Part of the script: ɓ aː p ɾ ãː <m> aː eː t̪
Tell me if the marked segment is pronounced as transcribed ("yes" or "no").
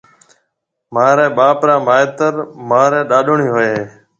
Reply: yes